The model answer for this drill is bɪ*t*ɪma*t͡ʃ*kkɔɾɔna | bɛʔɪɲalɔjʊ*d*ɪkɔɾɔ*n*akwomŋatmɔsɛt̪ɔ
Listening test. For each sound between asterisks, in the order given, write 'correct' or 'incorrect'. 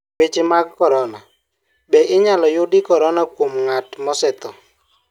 incorrect: t͡ʃ, incorrect: none, correct, correct

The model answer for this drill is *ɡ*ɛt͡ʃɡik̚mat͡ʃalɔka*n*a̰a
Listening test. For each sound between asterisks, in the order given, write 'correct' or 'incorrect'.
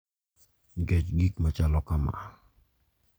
correct, incorrect: m

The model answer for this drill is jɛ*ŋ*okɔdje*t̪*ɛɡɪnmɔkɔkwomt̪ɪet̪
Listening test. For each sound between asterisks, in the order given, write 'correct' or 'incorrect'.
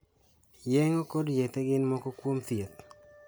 correct, correct

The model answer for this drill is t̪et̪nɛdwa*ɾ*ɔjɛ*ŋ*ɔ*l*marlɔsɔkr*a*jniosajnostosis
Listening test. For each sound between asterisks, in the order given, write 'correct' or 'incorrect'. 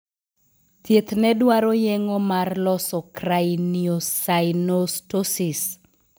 correct, correct, incorrect: none, correct

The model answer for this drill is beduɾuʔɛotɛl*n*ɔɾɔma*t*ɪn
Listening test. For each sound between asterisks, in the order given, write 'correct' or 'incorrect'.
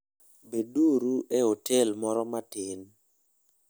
incorrect: m, correct

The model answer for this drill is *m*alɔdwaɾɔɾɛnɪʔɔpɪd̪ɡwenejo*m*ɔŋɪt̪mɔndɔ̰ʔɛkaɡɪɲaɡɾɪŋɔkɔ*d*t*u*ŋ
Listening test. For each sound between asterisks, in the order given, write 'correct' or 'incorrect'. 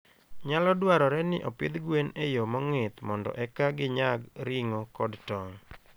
incorrect: ɲ, correct, correct, incorrect: ɔ

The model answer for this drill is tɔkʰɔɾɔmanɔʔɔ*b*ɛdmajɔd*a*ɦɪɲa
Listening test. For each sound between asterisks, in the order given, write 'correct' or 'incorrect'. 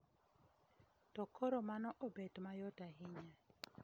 correct, correct

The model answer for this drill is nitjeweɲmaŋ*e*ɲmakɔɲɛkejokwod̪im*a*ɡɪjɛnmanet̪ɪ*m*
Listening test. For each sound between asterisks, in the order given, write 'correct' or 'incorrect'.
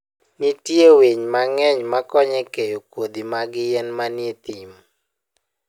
incorrect: ɛ, correct, correct

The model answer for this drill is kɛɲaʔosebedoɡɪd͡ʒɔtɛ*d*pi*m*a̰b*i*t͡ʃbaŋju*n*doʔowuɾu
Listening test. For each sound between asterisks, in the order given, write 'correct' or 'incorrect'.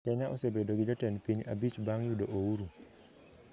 incorrect: n, incorrect: ɲ, correct, incorrect: none

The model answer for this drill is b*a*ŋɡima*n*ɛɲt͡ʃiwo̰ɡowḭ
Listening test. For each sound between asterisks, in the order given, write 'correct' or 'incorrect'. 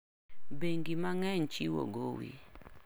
incorrect: e, incorrect: ŋ

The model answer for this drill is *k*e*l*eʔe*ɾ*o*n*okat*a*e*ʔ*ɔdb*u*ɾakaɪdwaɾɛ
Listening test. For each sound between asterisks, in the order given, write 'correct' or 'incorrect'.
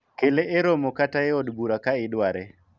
correct, correct, correct, incorrect: m, correct, incorrect: none, correct

